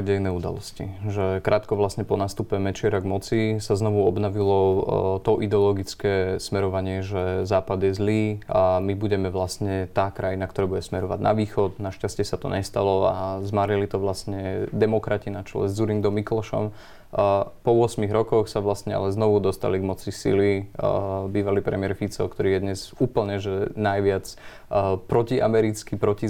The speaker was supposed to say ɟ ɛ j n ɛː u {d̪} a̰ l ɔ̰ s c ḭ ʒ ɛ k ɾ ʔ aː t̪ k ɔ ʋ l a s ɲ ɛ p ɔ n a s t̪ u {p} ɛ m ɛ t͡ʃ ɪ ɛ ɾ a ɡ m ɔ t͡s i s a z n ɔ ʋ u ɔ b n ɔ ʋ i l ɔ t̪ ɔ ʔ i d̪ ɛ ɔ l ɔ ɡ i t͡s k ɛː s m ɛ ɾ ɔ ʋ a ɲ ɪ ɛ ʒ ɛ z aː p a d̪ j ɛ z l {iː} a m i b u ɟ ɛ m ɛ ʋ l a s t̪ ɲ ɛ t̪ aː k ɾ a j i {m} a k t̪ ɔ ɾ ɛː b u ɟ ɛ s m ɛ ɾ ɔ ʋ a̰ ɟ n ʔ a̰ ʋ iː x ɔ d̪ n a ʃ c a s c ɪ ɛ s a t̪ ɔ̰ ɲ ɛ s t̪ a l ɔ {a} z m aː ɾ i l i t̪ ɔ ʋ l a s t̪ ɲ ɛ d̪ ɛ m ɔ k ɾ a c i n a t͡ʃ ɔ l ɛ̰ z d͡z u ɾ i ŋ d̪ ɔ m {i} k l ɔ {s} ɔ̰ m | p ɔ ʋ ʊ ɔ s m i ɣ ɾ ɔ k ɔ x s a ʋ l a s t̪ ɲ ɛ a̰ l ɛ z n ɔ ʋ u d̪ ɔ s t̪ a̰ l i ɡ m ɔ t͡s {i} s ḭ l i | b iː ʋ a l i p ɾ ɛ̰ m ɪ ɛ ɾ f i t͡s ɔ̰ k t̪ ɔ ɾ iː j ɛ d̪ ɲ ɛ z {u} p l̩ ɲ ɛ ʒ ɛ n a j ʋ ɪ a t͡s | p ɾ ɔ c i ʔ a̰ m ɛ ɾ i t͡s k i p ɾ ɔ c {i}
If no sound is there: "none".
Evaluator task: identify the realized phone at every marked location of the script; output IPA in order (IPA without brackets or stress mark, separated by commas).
d̪, p, iː, n, a, i, ʃ, i, uː, i